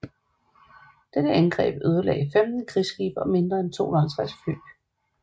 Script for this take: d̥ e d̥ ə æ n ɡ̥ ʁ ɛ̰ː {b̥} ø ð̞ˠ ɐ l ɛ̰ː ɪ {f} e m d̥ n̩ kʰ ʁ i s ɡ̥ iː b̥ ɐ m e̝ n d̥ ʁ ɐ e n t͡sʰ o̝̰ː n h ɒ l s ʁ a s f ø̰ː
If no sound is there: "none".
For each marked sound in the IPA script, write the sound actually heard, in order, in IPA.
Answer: b̥, f

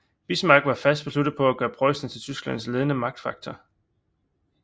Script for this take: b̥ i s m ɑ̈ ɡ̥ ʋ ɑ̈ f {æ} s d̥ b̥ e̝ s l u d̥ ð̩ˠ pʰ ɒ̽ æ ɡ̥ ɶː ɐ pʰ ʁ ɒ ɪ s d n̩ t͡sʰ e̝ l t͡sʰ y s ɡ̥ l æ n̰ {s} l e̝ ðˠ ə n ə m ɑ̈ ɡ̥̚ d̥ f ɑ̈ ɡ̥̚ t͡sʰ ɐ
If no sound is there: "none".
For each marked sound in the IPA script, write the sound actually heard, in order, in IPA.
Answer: æ, s

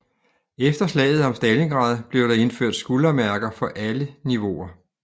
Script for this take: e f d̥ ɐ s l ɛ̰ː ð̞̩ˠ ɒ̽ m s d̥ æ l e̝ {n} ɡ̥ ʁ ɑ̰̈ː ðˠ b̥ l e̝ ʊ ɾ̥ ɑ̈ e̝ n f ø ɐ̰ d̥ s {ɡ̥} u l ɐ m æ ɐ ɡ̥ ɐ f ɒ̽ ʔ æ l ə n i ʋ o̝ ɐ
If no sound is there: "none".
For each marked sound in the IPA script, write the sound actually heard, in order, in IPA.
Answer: ŋ, ɡ̥

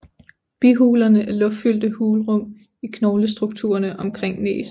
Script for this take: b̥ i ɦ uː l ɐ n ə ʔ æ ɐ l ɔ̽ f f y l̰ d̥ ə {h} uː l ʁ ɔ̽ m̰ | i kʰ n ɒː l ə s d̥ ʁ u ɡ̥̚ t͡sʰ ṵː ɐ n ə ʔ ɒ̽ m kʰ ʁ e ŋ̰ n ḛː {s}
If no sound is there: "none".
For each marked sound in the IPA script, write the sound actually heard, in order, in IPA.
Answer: h, s

